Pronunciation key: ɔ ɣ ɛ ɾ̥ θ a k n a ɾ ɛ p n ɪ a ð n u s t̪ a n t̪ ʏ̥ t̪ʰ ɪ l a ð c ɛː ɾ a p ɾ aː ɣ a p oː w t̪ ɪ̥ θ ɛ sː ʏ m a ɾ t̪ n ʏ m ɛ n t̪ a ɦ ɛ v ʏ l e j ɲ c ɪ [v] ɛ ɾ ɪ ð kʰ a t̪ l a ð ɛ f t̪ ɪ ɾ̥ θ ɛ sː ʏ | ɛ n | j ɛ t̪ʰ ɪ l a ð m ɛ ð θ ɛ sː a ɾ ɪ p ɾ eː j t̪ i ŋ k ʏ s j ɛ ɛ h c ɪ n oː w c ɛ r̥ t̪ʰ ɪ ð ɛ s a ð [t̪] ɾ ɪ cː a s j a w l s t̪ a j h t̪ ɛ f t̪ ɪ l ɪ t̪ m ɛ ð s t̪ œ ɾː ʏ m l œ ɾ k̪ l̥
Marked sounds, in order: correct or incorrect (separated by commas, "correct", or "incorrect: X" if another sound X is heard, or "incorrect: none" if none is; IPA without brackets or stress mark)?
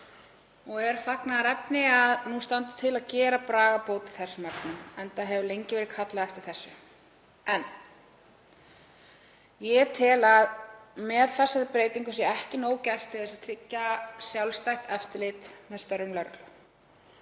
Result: correct, incorrect: t̪ʰ